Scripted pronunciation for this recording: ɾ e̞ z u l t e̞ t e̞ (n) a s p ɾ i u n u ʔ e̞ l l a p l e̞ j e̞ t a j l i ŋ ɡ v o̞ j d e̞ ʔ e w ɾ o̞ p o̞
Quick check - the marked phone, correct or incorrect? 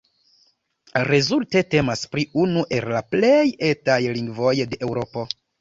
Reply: incorrect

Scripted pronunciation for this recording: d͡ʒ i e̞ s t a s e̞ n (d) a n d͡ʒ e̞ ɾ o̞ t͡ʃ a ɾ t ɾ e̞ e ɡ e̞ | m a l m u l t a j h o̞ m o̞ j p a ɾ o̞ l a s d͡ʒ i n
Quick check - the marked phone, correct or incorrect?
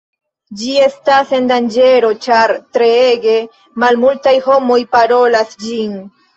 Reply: correct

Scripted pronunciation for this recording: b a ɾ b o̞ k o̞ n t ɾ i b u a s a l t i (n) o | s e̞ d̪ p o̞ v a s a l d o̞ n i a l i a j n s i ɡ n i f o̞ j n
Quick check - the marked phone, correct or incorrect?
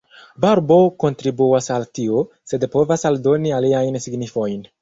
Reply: incorrect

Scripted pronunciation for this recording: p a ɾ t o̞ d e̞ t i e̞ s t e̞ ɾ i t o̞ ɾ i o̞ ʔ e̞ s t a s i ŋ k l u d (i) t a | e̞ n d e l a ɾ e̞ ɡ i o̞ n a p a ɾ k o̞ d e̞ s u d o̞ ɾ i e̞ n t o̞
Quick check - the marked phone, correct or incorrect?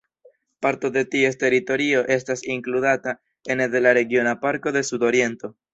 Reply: incorrect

